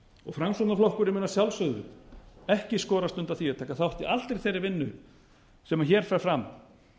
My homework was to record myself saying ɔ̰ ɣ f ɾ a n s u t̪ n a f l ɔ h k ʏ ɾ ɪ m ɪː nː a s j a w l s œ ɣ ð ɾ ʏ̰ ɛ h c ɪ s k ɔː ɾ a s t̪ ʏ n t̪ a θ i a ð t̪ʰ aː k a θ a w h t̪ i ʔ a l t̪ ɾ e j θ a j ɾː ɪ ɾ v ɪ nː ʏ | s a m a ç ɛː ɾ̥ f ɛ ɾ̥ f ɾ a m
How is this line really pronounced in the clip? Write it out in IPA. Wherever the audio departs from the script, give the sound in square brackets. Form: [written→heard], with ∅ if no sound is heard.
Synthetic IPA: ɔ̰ ɣ f ɾ a [n→m] s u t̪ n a f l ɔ h k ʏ ɾ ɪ m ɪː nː a s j a w l s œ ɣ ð ɾ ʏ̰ ɛ h c ɪ s k ɔː ɾ a s t̪ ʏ n t̪ a θ i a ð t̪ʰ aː k a θ a w h t̪ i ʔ a l t̪ ɾ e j θ [a→e] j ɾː ɪ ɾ v ɪ nː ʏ | s [a→ɛ] m a ç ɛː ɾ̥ f ɛ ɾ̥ f ɾ a m